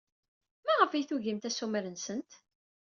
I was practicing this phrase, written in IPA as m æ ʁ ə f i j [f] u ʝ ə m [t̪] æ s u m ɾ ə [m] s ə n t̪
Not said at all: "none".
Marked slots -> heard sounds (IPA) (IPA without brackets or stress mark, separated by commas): θ, t̪, n